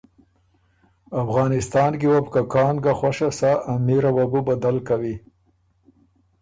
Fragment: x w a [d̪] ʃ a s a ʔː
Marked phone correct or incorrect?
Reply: incorrect